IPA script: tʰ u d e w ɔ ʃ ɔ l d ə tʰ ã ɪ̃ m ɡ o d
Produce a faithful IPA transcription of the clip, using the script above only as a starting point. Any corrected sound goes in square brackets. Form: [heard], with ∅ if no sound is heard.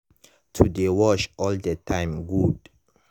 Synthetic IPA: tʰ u d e w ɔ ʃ ɔ l d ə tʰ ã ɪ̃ m ɡ [u] d